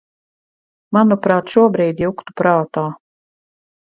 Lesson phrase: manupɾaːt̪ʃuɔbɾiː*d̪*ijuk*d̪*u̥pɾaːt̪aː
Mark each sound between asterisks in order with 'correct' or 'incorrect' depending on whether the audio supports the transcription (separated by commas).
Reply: correct, incorrect